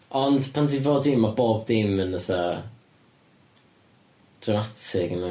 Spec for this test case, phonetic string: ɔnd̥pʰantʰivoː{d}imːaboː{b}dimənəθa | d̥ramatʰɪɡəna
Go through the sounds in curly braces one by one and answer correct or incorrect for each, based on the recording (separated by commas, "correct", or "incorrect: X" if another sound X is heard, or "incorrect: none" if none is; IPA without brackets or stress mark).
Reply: correct, correct